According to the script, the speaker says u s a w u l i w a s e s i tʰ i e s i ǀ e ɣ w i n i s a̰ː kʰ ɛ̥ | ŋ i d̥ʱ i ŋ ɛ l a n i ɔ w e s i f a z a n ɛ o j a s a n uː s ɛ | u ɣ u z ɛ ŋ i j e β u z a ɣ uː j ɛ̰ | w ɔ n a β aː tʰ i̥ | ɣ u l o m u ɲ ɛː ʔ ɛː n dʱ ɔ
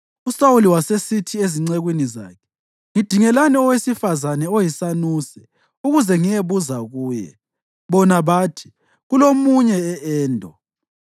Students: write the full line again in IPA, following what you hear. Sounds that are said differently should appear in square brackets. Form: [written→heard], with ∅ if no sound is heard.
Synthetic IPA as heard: u s a w u l i w a s e s i tʰ i e [s→z] i [ǀ→ŋ͡ǀ] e ɣ w i n i [s→z] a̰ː kʰ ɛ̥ | ŋ i d̥ʱ i ŋ ɛ l a n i ɔ w e s i f a z a n ɛ o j [a→i] s a n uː s ɛ | u ɣ u z ɛ ŋ i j e β u z a ɣ uː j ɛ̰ | [w→β] ɔ n a β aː tʰ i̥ | ɣ u l o m u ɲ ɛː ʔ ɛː n dʱ ɔ

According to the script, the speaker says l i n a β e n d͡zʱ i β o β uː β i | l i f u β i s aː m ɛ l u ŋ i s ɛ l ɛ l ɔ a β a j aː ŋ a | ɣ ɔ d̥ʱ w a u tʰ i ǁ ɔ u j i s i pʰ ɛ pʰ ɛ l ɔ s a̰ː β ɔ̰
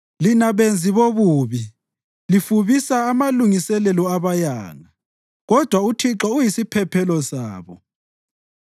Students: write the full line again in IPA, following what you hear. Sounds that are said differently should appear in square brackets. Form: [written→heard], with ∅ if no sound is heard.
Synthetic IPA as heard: l i n a β e n d͡zʱ i β o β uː β i | l i f u β i s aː m [ɛ→a] l u ŋ i s ɛ l ɛ l ɔ a β a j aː ŋ a | ɣ ɔ d̥ʱ w a u tʰ i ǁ ɔ u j i s i pʰ ɛ pʰ ɛ l ɔ s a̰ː β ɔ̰

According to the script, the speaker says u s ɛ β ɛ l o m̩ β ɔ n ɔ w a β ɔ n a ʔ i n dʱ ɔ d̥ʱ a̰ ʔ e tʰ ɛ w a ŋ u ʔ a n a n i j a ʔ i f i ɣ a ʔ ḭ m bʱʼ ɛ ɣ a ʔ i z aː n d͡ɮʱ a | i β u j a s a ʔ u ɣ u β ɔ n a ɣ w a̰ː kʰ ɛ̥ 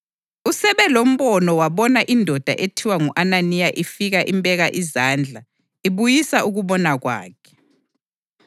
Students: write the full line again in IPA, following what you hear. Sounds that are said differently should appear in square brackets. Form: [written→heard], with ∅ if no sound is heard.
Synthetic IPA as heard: u s ɛ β ɛ l o m̩ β ɔ n ɔ w a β ɔ n a ʔ i n dʱ ɔ d̥ʱ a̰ ʔ e tʰ [ɛ→i] w a ŋ u ʔ a n a n i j a ʔ i f i ɣ a ʔ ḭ m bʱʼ ɛ ɣ a ʔ i z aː n d͡ɮʱ a | i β u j [a→i] s a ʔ u ɣ u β ɔ n a ɣ w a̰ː kʰ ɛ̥

